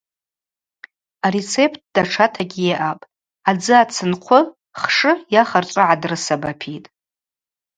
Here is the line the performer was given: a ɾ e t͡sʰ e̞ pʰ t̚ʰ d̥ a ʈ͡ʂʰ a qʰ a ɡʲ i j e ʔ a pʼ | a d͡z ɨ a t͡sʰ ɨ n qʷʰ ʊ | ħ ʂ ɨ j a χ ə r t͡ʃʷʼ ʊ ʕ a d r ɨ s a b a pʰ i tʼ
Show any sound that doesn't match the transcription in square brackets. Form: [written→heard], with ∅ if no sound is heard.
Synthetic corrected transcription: a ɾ e t͡sʰ e̞ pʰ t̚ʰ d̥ a ʈ͡ʂʰ a [qʰ→tʰ] a ɡʲ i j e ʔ a pʼ | a d͡z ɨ a t͡sʰ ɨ n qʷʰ ʊ | [ħ→χ] ʂ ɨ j a χ [ə→a] r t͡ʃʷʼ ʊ ʕ a d r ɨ s a b a pʰ i tʼ